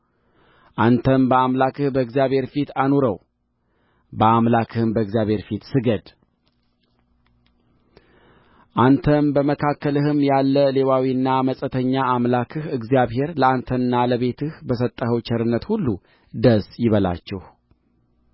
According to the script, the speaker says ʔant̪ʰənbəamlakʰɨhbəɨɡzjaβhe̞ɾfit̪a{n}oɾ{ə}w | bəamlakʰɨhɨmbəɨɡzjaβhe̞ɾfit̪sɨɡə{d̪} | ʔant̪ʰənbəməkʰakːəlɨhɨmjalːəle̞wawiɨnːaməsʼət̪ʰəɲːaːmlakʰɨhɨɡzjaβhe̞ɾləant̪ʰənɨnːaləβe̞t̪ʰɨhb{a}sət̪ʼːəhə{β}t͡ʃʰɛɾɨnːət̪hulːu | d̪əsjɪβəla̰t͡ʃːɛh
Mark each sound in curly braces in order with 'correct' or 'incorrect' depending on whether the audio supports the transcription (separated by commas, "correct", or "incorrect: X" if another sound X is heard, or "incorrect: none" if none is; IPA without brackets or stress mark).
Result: correct, correct, correct, incorrect: ə, incorrect: w